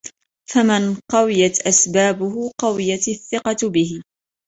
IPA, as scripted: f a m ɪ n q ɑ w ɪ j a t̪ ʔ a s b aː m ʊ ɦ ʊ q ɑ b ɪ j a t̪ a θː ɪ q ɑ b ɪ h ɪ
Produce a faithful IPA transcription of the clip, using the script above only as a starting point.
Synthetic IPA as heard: f a m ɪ n q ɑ w ɪ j a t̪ ʔ a s b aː b ʊ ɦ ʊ q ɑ w ɪ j a t̪ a θː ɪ q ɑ b ɪ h ɪ